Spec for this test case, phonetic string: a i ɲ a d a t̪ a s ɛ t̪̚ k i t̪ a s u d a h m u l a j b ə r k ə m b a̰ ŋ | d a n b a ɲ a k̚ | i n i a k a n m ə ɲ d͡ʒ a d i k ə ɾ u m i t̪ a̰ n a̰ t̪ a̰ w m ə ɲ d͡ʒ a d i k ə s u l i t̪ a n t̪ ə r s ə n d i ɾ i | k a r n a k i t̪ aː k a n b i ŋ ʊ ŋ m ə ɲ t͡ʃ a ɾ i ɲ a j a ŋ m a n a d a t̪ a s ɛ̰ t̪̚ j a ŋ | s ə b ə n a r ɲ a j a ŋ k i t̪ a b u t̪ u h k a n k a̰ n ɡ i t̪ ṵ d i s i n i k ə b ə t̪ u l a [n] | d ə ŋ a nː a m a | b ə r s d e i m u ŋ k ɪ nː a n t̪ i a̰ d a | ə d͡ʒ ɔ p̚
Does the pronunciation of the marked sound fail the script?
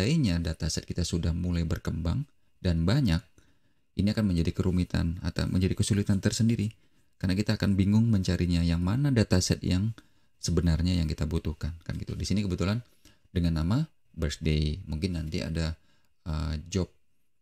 no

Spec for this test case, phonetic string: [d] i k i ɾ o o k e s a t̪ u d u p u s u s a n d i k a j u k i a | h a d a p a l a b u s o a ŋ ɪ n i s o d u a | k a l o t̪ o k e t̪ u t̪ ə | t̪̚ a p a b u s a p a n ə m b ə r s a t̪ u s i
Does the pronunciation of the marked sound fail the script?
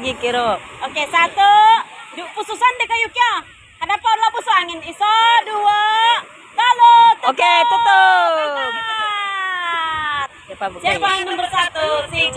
yes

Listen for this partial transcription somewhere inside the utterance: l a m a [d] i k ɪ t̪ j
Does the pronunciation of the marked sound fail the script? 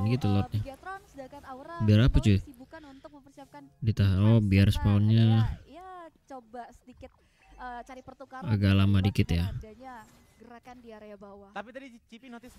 no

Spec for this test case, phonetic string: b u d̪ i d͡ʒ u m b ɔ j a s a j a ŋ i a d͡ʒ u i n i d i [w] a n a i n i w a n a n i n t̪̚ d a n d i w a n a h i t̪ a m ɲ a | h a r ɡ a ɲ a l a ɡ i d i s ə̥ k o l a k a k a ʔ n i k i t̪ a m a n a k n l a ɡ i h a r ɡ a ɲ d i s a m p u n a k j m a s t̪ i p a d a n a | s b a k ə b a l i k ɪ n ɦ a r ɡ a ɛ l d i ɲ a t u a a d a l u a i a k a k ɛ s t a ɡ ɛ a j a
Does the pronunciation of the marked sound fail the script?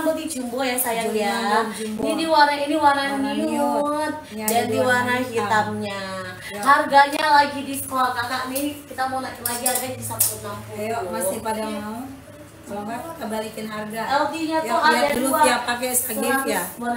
no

